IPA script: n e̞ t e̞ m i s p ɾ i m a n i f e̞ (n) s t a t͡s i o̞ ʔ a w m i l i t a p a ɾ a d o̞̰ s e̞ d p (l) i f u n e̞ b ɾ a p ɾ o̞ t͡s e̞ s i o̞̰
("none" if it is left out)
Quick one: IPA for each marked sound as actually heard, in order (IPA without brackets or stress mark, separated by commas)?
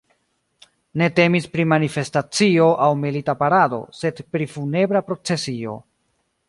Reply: none, ɾ